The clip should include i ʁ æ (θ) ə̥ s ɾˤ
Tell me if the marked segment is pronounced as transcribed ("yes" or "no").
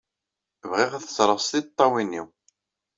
yes